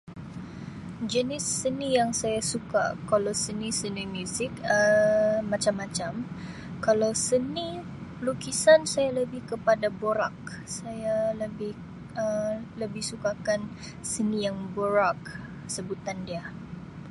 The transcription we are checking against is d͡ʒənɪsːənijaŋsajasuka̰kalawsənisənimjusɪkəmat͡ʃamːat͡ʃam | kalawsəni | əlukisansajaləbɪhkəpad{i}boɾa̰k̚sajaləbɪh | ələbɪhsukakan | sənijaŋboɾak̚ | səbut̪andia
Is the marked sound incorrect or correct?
incorrect